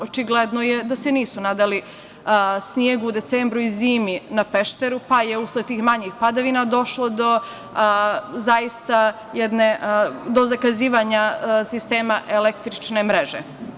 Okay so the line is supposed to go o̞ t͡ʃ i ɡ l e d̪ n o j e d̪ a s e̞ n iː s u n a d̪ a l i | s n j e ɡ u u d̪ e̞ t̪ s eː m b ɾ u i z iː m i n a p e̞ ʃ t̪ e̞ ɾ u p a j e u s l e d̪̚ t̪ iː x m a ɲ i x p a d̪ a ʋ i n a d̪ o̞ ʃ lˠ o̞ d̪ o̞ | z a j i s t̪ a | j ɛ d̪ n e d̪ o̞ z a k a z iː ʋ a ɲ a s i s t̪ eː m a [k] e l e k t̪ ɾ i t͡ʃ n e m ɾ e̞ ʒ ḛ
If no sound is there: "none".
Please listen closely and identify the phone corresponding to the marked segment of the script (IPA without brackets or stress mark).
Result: ʔ